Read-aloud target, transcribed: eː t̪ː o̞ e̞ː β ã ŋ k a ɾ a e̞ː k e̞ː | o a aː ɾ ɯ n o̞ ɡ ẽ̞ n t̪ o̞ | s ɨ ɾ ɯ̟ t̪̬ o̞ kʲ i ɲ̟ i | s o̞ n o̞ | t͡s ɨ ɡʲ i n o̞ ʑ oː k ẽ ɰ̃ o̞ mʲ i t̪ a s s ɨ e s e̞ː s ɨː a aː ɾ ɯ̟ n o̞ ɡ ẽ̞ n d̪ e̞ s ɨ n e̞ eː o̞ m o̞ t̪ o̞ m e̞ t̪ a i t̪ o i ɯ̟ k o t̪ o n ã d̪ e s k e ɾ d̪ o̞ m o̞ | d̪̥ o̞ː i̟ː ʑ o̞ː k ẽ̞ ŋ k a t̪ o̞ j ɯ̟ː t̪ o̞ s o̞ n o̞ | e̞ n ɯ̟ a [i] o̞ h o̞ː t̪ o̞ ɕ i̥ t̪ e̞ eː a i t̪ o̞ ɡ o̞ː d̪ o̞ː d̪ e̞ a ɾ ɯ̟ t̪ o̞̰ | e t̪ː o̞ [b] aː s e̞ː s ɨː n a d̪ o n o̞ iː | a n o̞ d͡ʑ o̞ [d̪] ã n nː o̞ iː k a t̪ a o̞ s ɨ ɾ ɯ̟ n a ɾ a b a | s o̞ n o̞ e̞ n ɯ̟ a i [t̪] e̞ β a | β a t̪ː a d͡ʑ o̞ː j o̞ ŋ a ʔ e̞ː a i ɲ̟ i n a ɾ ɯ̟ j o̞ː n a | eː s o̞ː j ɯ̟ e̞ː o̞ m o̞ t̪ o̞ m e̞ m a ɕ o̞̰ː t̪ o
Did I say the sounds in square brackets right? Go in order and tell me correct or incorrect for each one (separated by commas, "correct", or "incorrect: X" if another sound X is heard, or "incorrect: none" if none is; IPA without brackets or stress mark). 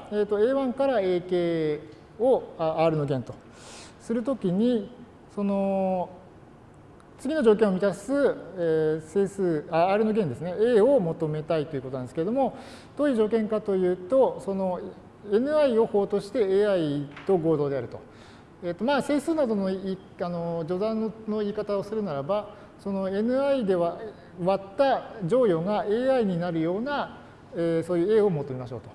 correct, incorrect: m, correct, incorrect: d̪